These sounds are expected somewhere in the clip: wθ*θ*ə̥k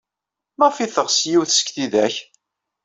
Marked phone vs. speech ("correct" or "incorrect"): incorrect